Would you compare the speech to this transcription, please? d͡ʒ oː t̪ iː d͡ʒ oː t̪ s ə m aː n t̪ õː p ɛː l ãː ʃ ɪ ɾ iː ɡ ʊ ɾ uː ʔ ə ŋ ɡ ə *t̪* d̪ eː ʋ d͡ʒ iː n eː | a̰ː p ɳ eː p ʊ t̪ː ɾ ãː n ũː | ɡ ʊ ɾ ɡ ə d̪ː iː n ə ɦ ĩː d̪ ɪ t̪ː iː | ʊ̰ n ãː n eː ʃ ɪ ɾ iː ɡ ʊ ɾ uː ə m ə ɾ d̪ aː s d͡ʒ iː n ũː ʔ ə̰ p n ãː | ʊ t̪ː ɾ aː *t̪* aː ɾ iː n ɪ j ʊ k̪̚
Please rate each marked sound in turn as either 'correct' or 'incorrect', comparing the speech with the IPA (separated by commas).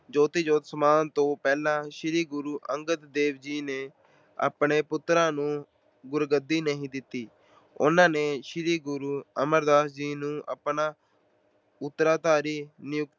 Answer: correct, correct